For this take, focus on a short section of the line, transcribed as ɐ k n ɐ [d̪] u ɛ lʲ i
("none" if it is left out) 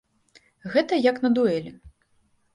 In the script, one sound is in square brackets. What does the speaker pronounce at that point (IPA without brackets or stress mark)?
d̪